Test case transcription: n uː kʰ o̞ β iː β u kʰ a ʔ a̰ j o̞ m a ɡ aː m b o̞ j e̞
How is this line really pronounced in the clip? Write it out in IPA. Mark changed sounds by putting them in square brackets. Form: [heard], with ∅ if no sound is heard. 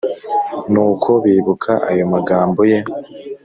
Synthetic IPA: n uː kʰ o̞ β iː β u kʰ a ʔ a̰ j o̞ m a ɡ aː m b o̞ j e̞